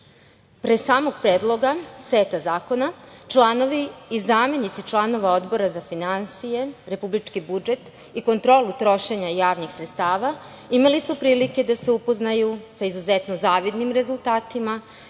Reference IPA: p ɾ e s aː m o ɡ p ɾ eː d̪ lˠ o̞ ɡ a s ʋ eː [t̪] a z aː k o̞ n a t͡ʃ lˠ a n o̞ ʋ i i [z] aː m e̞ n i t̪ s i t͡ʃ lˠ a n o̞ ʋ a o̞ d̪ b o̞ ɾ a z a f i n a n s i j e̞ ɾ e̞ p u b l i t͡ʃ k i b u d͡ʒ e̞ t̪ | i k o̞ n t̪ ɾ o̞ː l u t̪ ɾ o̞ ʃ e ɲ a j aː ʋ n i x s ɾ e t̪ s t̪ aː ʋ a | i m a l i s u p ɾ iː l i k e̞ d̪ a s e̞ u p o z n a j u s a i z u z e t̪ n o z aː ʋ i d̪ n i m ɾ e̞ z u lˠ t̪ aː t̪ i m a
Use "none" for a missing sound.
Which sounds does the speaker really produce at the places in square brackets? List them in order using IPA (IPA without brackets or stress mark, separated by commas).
t̪, z